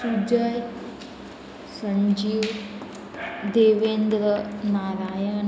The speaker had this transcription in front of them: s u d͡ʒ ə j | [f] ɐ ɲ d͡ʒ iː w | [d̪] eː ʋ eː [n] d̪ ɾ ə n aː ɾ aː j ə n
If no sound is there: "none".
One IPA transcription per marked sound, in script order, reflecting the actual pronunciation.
s, d̪, n

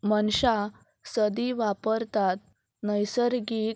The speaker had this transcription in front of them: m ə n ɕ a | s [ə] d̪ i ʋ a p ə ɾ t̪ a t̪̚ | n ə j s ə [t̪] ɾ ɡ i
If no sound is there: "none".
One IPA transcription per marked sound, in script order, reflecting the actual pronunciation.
ə, none

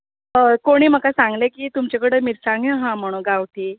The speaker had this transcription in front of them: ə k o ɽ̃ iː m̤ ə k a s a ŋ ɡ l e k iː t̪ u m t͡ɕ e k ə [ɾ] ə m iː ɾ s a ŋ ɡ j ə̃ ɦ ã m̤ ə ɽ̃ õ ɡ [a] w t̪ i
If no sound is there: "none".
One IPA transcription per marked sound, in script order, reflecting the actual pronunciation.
ɽ, a

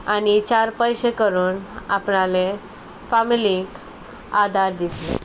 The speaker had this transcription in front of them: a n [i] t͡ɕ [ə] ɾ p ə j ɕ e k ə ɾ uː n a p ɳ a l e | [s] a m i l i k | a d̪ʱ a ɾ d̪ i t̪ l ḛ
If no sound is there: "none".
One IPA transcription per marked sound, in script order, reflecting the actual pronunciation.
i, a, f

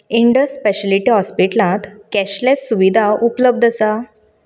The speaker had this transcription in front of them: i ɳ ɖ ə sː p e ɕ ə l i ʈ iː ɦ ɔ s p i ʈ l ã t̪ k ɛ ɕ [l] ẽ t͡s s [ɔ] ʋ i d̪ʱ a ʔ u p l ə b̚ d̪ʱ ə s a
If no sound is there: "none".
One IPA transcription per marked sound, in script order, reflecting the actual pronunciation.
l, u

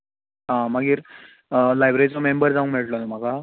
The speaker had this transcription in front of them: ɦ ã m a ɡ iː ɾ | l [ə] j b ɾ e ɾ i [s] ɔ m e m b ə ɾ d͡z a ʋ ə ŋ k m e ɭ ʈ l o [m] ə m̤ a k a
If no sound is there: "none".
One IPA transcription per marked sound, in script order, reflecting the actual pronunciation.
a, t͡s, n

